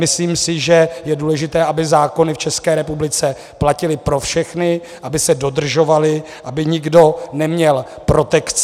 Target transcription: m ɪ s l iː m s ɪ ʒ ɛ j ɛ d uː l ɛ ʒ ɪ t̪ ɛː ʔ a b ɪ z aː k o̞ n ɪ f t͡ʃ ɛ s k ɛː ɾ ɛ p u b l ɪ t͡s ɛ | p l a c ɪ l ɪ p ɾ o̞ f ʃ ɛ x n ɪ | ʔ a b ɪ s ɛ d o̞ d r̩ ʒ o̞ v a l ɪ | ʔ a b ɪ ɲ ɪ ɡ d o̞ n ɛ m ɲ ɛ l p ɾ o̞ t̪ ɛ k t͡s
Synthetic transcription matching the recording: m ɪ s l iː m s ɪ ʒ ɛ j ɛ d uː l ɛ ʒ ɪ t̪ ɛː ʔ a b ɪ z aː k o̞ n ɪ f t͡ʃ ɛ s k ɛː ɾ ɛ p u b l ɪ t͡s ɛ | p l a c ɪ l ɪ p ɾ o̞ f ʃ ɛ x n ɪ | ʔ a b ɪ s ɛ d o̞ d r̩ ʒ o̞ v a l ɪ | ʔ a b ɪ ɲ ɪ ɡ d o̞ n ɛ m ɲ ɛ l p ɾ o̞ t̪ ɛ k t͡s